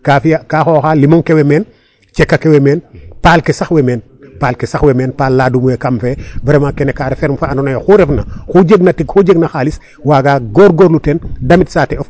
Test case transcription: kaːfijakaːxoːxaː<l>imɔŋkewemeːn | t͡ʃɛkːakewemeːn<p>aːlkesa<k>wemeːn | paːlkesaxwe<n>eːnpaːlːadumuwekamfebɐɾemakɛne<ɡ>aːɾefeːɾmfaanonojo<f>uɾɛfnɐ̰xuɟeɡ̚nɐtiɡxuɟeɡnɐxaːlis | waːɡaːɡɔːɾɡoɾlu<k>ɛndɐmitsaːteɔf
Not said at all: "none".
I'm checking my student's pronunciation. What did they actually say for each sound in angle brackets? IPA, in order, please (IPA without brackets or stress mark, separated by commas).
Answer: l, p, x, m, k, x, t